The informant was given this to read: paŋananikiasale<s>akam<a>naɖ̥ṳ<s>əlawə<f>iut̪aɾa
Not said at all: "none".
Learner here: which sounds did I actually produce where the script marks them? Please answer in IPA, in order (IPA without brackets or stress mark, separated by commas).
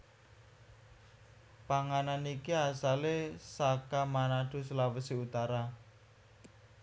s, a, s, s